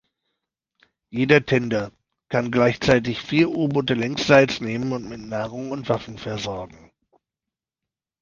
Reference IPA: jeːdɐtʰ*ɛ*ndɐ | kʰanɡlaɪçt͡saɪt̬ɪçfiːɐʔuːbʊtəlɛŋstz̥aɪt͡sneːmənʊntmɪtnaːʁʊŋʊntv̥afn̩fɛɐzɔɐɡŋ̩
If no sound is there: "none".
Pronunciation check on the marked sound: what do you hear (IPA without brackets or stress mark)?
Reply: ɛ